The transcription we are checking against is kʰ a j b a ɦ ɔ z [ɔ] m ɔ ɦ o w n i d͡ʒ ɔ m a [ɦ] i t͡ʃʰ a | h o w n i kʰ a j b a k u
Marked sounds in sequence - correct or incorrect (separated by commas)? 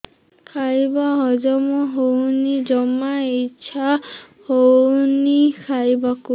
correct, incorrect